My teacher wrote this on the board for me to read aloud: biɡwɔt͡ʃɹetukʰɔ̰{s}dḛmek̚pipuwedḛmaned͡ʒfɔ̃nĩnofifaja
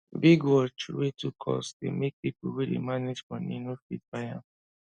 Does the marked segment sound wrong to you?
no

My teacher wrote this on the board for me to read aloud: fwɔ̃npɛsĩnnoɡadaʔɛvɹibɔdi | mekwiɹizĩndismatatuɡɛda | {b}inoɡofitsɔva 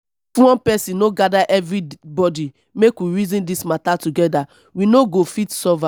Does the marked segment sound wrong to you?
yes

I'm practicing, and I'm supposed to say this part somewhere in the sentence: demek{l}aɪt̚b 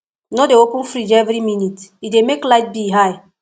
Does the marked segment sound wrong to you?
no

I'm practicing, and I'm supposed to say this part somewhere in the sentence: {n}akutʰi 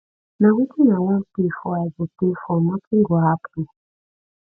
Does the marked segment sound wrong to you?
no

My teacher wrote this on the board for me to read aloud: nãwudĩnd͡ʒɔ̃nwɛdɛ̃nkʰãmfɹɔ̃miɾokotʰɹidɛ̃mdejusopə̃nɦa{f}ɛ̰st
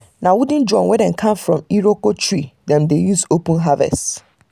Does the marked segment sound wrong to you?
yes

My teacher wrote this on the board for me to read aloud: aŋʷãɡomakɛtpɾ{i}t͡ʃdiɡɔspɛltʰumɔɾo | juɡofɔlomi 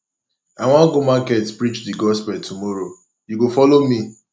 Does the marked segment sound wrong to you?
no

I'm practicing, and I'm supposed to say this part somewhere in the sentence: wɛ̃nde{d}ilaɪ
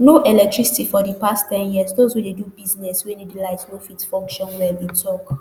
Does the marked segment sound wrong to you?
no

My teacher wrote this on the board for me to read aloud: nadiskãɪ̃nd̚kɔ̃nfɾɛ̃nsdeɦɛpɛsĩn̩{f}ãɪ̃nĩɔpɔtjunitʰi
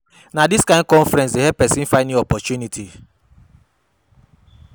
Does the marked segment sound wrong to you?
no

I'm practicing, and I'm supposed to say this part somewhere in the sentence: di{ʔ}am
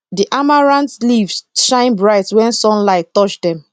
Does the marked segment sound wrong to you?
no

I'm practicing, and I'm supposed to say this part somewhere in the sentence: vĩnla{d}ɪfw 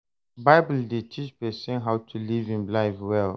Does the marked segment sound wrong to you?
yes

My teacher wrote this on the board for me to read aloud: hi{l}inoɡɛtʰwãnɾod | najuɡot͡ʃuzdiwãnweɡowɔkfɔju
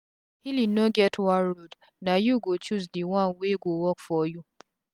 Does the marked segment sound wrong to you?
no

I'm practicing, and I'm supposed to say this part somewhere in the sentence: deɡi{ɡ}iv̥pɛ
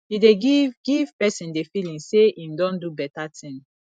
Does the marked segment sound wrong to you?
no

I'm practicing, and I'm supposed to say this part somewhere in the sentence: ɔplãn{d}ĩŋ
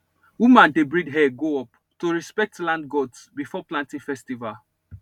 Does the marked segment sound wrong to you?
yes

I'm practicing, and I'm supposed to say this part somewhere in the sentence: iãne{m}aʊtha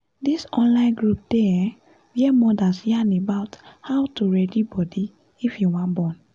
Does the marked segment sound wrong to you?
yes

